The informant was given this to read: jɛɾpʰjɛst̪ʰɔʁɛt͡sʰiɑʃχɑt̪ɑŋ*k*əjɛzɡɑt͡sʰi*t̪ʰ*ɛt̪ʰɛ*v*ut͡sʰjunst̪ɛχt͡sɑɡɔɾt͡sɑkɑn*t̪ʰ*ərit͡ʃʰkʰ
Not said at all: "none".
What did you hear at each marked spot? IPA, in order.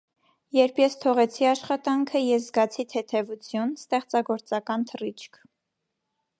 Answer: kʰ, t̪ʰ, v, t̪ʰ

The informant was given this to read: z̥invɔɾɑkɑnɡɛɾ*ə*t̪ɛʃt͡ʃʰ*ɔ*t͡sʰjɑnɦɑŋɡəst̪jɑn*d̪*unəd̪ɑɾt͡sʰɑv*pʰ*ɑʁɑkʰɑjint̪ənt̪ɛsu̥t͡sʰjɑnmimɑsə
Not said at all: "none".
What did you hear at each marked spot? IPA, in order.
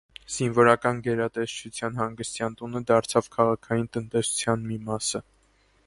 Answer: ɑ, u, t̪, kʰ

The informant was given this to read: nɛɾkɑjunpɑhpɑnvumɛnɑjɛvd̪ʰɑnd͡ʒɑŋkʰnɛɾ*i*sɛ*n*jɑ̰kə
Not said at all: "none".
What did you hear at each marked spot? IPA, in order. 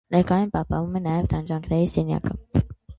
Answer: i, n

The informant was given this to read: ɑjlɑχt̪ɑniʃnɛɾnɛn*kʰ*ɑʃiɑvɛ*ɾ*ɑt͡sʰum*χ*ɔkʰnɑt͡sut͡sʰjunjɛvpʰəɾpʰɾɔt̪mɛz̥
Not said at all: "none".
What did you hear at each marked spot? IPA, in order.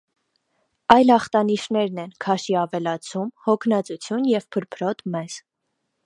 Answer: kʰ, l, h

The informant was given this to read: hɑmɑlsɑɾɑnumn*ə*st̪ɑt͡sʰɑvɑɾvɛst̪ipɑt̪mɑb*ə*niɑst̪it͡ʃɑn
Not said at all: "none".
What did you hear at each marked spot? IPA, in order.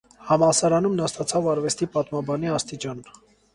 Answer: ɑ, ɑ

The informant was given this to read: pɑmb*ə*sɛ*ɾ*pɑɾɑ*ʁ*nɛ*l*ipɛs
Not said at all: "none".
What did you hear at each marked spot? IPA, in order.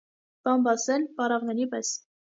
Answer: ɑ, l, ʁ, ɾ

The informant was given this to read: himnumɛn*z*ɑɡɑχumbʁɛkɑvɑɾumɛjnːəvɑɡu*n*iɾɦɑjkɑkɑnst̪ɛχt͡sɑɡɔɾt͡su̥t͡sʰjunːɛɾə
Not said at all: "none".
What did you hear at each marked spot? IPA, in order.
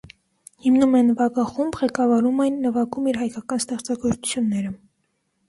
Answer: v, m

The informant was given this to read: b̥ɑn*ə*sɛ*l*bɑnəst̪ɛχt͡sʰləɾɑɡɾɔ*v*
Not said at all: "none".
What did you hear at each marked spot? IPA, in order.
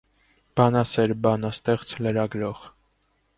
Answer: ɑ, ɾ, ʁ

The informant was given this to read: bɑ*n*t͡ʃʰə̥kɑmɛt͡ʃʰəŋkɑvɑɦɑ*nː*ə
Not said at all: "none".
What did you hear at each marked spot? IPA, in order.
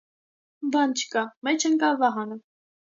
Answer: n, n

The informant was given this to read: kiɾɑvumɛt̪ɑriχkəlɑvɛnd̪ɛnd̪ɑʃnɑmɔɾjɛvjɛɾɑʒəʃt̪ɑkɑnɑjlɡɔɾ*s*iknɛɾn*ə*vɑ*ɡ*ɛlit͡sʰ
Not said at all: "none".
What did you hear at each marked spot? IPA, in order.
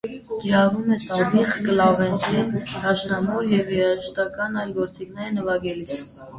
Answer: t͡s, ə, ɡ

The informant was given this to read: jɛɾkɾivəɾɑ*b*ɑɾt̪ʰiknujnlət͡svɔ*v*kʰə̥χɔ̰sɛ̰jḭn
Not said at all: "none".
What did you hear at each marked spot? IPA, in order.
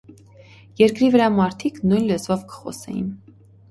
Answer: m, v

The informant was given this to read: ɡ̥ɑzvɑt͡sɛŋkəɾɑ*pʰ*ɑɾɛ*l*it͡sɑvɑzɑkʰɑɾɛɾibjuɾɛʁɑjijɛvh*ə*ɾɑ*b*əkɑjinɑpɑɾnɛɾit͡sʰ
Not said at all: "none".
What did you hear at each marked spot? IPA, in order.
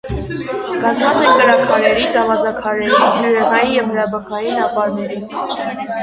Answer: kʰ, ɾ, ə, b

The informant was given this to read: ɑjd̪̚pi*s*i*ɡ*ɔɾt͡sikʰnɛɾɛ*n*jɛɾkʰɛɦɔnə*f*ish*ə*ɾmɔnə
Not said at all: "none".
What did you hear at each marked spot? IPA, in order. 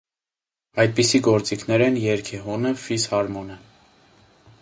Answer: s, ɡ, n, f, ɑ

